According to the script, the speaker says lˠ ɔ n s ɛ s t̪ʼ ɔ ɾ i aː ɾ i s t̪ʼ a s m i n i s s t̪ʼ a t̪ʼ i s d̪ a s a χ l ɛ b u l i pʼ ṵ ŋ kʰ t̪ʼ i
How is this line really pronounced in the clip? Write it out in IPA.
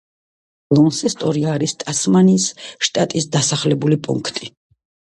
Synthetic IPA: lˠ ɔ n s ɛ s t̪ʼ ɔ ɾ i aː ɾ i s t̪ʼ a s m a n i s ʃ t̪ʼ a t̪ʼ i s d̪ a s a χ l ɛ b u l i pʼ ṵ ŋ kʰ t̪ʼ i